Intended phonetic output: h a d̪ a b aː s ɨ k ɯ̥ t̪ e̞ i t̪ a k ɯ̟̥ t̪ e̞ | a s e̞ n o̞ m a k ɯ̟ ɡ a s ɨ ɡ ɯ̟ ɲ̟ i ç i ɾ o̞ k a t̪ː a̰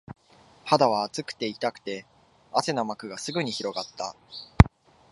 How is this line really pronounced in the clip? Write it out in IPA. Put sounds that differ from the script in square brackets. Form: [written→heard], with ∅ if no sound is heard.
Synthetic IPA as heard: h a d̪ a [b→β] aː [s→t͡s] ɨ k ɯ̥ t̪ e̞ i t̪ a k ɯ̟̥ t̪ e̞ | a s e̞ n o̞ m a k ɯ̟ ɡ a s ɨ ɡ ɯ̟ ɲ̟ i ç i ɾ o̞ [k→ɡ] a t̪ː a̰